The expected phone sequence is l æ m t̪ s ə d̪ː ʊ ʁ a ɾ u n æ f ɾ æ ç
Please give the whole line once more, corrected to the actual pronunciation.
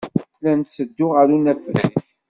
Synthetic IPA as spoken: l æ n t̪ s ə d̪ː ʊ ʁ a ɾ u n æ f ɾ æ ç